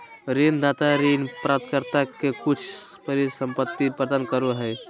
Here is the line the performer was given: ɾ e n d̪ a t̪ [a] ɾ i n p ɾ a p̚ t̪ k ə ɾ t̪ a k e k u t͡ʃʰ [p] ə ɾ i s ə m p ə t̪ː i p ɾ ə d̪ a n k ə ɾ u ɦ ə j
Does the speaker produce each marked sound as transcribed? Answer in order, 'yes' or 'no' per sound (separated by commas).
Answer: yes, yes